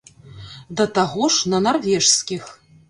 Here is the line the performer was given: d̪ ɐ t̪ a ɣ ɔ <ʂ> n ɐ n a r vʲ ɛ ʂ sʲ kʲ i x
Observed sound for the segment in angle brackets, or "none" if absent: ʂ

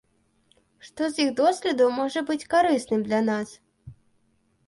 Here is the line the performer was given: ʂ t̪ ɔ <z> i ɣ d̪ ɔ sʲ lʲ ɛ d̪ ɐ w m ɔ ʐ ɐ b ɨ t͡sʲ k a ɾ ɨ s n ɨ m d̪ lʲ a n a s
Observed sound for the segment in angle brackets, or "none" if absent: z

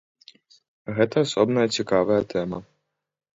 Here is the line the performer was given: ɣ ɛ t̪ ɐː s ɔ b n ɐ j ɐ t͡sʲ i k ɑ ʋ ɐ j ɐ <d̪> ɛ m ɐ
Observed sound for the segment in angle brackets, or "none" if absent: t̪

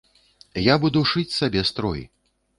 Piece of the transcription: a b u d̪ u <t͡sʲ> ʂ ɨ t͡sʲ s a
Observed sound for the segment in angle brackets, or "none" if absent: none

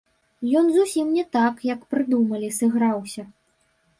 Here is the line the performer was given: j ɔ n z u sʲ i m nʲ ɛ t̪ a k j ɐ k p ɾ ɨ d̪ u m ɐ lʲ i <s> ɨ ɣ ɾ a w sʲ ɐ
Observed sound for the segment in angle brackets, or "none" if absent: s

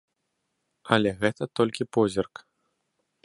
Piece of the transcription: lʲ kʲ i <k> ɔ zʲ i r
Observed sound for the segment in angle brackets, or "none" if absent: p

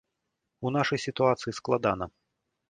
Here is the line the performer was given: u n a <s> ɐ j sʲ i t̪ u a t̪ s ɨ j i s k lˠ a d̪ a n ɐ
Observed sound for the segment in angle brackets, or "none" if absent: ʂ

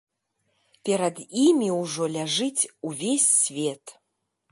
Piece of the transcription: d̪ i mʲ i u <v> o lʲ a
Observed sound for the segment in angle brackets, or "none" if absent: ʐ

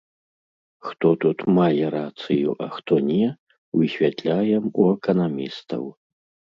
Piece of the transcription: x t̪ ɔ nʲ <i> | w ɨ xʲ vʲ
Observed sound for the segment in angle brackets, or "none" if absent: ɛ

